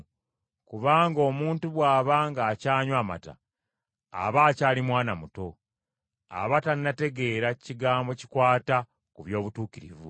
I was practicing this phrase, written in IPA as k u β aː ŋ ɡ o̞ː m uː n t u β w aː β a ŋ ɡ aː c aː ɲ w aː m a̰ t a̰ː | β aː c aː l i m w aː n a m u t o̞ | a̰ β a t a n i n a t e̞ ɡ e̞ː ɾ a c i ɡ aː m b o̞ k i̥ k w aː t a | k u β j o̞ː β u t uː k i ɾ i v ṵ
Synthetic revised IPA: k u β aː ŋ ɡ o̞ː m uː n t u β w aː β a ŋ ɡ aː c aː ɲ w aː m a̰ t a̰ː | β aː c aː l i m w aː n a m u t o̞ | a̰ β a t a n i n a t e̞ ɡ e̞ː ɾ a c i ɡ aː m b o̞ c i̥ k w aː t a | k u β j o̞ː β u t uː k i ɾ i v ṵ